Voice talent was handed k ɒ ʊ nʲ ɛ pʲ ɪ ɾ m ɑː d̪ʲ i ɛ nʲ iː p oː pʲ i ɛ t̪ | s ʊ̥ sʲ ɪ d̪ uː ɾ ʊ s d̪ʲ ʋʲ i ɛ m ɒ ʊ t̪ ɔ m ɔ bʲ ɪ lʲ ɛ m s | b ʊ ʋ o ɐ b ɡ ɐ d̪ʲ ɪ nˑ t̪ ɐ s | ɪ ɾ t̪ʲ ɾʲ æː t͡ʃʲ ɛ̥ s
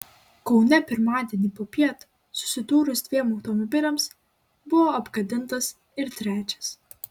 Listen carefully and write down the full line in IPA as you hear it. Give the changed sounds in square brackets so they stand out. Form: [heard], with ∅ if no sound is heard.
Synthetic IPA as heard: k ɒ ʊ nʲ ɛ pʲ ɪ ɾ m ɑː d̪ʲ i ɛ nʲ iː p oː pʲ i ɛ t̪ | s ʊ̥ sʲ ɪ d̪ uː ɾ ʊ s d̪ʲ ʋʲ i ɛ m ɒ ʊ t̪ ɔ m ɔ bʲ ɪ lʲ ɛ m s | b ʊ ʋ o ɐ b ɡ ɐ d̪ʲ ɪ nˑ t̪ ɐ s | ɪ ɾ t̪ʲ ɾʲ æː t͡ʃʲ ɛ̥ s